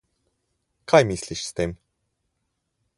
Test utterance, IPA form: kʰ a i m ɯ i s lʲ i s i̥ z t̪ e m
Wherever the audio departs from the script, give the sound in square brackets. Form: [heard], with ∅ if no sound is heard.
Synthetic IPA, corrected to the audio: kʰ a [j] m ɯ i s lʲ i [ʃ] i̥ [s] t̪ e m

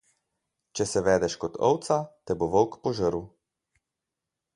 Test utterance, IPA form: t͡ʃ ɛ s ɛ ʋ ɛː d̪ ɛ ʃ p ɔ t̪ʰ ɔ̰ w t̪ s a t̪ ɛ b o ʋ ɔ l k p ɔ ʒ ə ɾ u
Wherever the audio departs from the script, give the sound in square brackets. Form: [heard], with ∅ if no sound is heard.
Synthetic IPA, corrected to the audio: t͡ʃ ɛ s ɛ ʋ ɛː d̪ ɛ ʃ [k] ɔ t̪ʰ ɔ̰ w t̪ s a t̪ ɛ b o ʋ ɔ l k p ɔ ʒ ə ɾ u

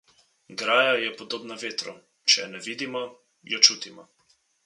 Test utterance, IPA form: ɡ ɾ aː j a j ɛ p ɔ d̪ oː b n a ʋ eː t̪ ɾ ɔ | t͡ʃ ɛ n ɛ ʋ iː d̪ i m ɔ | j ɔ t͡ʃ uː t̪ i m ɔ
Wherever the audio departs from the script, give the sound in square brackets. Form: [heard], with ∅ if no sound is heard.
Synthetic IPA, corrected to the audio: ɡ ɾ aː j a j ɛ p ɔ d̪ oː b n a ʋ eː t̪ ɾ ɔ | t͡ʃ ɛ n ɛ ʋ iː d̪ i m ɔ | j ɔ t͡ʃ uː t̪ i m ɔ

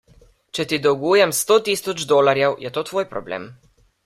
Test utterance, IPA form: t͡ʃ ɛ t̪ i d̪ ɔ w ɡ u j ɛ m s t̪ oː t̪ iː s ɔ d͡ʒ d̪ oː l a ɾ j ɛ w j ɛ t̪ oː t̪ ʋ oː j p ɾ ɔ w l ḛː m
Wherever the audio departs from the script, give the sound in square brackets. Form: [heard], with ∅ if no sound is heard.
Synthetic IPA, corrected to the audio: t͡ʃ ɛ t̪ i d̪ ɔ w ɡ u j ɛ m s t̪ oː t̪ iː s ɔ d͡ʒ d̪ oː l a ɾ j ɛ w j ɛ t̪ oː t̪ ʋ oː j p ɾ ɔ [b] l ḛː m

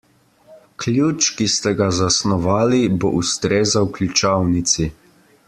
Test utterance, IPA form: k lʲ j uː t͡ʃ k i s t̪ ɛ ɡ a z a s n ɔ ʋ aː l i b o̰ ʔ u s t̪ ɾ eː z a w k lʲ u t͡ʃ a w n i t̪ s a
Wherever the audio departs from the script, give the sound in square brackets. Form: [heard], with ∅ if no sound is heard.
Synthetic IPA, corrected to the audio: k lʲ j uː t͡ʃ k i s t̪ ɛ ɡ a z a s n ɔ ʋ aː l i b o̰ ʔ u s t̪ ɾ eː z a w k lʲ u t͡ʃ a w n i t̪ s [i]

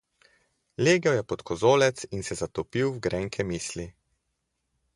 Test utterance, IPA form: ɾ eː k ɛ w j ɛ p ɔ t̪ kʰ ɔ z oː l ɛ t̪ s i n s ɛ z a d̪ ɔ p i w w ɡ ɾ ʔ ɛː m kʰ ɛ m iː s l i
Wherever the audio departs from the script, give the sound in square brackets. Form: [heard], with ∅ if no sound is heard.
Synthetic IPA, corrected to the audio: [l] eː [ɡ] ɛ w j ɛ p ɔ t̪ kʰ ɔ z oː l ɛ t̪ s i n s ɛ z a [t̪] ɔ p i w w ɡ ɾ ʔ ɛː [ŋ] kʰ ɛ m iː s l i

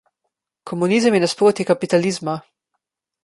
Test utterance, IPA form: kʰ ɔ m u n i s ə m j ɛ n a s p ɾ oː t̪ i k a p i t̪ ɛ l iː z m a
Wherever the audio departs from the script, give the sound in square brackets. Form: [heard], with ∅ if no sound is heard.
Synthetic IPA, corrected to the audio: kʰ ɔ m u n i [z] ə m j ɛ n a s p ɾ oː t̪ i k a p i t̪ [a] l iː z m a

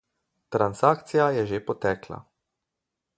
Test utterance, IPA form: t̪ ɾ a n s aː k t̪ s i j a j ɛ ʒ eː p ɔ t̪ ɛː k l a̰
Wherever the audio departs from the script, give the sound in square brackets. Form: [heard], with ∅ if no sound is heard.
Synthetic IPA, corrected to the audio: t̪ ɾ a n s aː k t̪ s i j a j ɛ ʒ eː p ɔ t̪ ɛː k l a̰

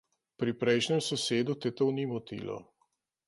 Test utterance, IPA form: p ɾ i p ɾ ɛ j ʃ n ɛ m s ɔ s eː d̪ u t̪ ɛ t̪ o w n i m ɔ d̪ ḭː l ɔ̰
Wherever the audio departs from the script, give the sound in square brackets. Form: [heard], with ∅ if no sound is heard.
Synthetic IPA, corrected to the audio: p ɾ i p ɾ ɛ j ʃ n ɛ m s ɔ s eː d̪ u t̪ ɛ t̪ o w n i m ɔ [t̪] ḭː l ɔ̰

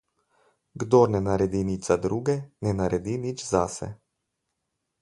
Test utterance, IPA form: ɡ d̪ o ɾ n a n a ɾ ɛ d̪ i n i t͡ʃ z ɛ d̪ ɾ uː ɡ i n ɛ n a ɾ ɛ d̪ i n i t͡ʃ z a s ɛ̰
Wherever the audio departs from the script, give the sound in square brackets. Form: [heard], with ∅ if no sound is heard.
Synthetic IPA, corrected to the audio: ɡ d̪ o ɾ n [ɛ] n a ɾ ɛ d̪ i n i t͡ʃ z [a] d̪ ɾ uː ɡ [ɛ] n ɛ n a ɾ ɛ d̪ i n i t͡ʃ z a s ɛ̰

